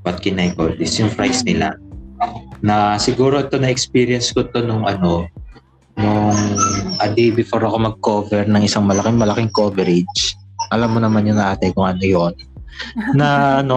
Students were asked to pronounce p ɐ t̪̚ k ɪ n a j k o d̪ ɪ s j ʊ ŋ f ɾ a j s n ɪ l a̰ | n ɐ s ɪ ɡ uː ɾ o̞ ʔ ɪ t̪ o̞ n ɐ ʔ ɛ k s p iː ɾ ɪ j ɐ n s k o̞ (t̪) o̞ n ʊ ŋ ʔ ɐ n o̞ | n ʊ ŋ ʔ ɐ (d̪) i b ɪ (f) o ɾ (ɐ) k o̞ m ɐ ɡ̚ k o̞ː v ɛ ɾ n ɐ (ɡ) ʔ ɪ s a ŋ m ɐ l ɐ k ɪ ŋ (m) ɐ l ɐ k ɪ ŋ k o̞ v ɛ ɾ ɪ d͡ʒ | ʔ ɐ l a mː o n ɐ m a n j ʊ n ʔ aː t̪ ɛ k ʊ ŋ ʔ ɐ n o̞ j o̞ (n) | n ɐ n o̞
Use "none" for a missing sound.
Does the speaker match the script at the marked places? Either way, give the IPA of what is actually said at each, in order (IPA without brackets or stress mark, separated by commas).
t̪, d̪, f, ɐ, ŋ, m, n